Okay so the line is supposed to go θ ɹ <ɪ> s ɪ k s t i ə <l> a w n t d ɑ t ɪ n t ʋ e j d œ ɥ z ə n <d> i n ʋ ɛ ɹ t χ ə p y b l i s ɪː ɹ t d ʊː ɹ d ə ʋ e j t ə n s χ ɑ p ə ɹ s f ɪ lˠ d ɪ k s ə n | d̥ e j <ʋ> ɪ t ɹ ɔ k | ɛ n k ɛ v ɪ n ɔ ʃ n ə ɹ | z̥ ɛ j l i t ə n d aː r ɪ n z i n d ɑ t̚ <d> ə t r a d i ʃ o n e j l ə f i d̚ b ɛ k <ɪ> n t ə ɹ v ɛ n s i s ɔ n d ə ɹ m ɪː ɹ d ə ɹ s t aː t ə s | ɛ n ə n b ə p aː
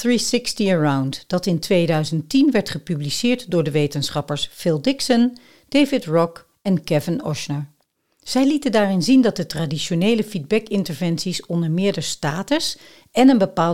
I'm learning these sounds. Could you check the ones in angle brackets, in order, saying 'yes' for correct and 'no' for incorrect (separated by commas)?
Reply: no, no, no, no, yes, yes